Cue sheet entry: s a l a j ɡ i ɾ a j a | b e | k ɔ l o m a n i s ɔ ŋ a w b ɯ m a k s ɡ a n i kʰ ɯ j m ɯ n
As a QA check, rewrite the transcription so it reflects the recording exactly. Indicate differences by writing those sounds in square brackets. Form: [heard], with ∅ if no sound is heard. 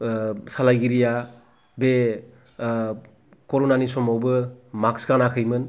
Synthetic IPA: s a l a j ɡ i ɾ [i] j a | b e | k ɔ [ɾ] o [n] a n i s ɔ [m] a w b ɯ m a k s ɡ a n [a] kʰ ɯ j m ɯ n